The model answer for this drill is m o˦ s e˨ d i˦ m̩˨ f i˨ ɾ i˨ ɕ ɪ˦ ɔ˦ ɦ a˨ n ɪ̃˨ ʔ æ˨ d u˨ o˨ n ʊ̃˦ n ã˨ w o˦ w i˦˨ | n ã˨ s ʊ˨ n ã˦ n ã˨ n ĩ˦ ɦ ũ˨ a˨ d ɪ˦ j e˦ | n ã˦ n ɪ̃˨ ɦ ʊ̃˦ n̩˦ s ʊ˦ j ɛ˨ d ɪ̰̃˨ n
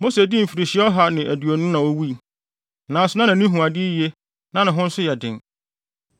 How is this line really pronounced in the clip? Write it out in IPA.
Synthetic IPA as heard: m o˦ s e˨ d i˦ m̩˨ f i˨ ɾ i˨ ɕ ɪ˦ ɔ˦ ɦ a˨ n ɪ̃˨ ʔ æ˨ d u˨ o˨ n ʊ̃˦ n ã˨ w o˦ w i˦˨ | n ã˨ s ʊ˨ n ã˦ n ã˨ n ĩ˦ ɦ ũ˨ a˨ d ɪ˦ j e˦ | n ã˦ n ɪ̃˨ ɦ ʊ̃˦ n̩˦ s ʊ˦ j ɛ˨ d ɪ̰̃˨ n